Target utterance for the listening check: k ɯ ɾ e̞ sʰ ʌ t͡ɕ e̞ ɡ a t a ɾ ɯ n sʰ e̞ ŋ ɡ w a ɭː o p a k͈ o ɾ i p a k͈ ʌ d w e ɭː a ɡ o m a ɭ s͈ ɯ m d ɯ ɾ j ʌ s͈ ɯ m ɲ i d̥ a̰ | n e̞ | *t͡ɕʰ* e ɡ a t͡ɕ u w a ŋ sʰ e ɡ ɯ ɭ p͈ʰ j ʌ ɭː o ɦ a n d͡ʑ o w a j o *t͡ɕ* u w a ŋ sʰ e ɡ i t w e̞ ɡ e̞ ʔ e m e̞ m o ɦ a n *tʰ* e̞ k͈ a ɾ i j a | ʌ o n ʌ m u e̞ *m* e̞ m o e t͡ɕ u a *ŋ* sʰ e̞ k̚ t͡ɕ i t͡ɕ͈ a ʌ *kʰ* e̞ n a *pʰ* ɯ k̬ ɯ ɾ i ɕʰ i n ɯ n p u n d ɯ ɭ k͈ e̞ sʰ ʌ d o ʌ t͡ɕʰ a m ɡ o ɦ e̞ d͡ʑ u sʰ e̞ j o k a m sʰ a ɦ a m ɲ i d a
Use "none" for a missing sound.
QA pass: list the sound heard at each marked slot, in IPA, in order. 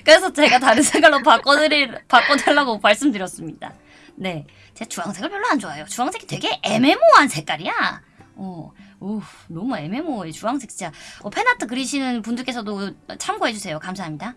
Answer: t͡ɕ, t͡ɕ, sʰ, m, ŋ, pʰ, tʰ

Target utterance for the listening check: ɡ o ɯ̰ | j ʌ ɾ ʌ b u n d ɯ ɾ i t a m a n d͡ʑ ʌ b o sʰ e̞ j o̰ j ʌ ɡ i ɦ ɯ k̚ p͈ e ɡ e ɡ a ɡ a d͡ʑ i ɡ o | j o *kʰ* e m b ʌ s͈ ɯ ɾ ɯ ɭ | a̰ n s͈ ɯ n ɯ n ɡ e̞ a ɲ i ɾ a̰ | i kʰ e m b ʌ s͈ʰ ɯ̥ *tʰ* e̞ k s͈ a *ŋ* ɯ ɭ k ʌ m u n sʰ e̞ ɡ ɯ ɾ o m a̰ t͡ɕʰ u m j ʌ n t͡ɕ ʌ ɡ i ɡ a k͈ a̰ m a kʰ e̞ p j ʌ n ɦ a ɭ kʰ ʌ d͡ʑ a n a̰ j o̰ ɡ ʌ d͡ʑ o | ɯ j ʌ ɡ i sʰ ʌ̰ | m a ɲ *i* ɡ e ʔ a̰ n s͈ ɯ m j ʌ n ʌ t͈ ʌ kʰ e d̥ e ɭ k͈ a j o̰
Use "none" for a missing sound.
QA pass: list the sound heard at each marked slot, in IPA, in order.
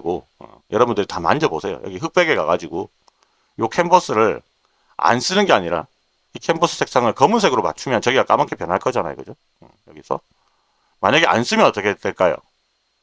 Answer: kʰ, sʰ, ŋ, a

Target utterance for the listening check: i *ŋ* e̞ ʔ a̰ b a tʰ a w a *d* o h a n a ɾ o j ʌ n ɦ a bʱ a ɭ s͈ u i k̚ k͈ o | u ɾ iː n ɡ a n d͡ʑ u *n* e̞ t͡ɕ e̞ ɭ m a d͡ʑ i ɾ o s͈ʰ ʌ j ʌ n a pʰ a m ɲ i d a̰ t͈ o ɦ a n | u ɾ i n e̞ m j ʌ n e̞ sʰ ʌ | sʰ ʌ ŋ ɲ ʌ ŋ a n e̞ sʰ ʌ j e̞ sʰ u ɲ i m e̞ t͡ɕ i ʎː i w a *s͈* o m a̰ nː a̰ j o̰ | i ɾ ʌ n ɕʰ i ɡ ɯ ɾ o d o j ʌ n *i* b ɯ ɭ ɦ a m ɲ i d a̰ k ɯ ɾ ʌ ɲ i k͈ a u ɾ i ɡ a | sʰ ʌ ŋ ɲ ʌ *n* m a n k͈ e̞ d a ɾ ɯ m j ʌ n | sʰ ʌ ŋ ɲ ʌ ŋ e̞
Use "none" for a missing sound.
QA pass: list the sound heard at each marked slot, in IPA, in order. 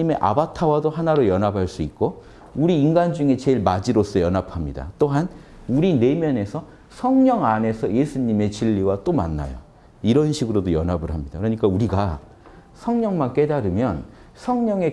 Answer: m, d, ŋ, t͈, a, ŋ

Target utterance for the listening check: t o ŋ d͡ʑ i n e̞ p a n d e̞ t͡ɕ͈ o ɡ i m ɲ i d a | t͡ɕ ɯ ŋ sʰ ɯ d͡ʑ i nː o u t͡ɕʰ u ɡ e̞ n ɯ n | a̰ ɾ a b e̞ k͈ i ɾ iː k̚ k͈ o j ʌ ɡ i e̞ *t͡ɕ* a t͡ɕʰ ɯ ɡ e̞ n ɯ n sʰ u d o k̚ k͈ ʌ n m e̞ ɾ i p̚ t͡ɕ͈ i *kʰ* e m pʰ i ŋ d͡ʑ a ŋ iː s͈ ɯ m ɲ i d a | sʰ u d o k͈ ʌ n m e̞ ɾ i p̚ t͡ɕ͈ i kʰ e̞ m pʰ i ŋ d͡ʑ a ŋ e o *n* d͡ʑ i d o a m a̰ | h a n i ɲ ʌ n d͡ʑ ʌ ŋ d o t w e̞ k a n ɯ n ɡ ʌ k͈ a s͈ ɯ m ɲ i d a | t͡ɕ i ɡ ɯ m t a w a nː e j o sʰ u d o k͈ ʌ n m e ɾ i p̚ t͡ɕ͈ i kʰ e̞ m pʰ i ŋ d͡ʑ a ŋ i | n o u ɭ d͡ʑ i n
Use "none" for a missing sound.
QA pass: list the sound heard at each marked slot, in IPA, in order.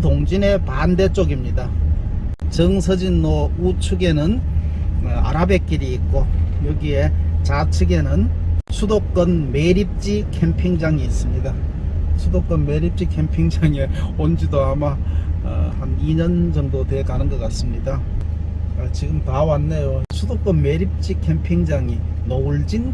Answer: t͡ɕ, kʰ, n

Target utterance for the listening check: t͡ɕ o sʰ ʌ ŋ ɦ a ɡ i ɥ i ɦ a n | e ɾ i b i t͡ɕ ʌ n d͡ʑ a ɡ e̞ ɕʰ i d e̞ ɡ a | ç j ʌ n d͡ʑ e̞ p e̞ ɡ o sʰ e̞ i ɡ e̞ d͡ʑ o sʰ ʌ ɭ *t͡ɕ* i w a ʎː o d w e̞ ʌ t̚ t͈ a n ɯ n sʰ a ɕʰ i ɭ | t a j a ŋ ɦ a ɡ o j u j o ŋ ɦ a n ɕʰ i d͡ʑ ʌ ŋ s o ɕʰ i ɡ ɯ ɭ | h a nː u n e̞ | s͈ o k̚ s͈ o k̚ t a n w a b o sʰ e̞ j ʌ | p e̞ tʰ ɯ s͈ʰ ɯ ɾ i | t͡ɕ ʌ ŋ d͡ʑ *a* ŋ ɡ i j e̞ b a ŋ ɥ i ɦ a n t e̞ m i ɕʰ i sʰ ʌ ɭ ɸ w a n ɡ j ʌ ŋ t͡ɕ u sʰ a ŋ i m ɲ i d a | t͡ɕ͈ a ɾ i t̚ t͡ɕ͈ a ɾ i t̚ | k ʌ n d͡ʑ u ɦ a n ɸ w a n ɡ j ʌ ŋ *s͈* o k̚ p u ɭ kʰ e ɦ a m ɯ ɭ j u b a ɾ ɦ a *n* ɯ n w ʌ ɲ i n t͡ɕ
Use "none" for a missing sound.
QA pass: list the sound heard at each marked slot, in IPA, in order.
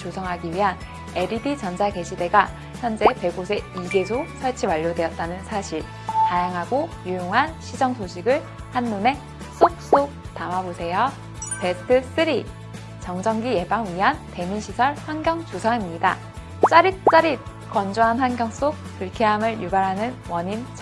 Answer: t͡ɕʰ, ʌ, s͈, n

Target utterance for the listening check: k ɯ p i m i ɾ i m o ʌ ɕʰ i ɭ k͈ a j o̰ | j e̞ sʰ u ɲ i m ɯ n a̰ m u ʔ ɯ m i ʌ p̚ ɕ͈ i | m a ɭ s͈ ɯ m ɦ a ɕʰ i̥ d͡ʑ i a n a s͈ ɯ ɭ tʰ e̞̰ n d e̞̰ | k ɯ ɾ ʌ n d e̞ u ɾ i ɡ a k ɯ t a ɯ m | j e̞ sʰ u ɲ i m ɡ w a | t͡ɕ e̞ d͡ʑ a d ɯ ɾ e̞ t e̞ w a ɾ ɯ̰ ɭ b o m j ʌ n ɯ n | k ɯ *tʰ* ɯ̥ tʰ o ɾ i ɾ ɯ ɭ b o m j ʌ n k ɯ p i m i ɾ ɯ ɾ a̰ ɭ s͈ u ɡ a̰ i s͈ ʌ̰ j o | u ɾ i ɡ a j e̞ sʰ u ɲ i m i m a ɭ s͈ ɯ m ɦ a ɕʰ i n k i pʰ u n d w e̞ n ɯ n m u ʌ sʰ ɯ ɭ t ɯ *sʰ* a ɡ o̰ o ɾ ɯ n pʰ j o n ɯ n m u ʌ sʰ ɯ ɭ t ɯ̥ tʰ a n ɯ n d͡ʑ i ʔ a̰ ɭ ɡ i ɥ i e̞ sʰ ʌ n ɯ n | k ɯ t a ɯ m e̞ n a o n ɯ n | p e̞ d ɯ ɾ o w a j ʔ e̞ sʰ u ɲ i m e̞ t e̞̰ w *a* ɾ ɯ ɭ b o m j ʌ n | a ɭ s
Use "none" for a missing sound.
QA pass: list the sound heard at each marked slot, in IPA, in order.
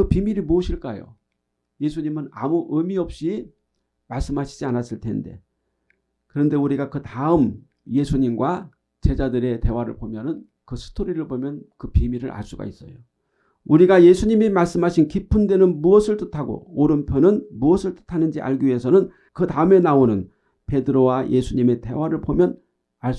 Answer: sʰ, tʰ, a

